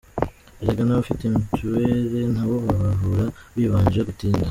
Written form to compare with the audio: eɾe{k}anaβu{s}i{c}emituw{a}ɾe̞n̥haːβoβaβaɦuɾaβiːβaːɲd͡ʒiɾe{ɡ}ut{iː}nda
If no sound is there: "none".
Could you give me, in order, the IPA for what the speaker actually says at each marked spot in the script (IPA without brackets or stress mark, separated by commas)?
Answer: ɡ, f, t, e, ɡ, iː